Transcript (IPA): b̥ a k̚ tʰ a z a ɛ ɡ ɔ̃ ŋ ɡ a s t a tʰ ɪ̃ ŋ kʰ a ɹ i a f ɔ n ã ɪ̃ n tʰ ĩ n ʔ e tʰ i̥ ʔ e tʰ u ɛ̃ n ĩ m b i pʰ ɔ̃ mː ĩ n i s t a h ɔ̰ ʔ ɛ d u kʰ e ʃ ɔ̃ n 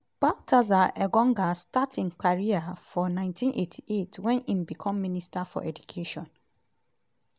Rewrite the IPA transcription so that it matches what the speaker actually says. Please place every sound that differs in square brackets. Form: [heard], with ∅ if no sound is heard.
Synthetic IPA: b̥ a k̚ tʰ a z a ɛ ɡ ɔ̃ ŋ ɡ a s t a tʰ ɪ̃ ŋ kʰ a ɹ i a f ɔ n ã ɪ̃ n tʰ ĩ n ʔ e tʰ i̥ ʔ e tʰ [w] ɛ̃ n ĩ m b i [kʰ] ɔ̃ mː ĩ n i s t a [f] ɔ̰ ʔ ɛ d u kʰ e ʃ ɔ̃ n